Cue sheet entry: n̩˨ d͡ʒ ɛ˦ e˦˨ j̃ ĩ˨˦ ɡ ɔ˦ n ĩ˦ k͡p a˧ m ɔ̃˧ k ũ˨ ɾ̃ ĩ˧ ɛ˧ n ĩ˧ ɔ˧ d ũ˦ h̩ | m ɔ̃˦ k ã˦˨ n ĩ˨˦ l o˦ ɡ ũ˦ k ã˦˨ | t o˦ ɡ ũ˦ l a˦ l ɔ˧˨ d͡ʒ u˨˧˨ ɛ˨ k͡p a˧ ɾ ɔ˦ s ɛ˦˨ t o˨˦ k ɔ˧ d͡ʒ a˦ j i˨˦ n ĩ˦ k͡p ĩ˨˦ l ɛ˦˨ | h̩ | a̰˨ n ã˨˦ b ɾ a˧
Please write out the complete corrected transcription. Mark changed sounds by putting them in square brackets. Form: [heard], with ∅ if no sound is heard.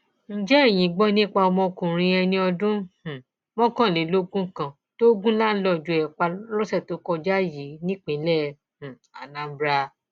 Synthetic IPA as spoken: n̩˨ d͡ʒ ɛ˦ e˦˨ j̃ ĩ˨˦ [ɡ͡b] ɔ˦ n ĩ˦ k͡p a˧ m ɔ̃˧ k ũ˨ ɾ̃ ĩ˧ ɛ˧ n ĩ˧ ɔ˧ d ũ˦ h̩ | m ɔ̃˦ k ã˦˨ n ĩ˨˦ l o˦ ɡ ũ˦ k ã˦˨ | t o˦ ɡ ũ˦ l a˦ l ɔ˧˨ d͡ʒ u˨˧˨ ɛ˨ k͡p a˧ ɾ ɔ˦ s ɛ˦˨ t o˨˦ k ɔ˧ d͡ʒ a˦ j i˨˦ n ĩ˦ k͡p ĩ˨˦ l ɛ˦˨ | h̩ | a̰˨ n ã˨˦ b ɾ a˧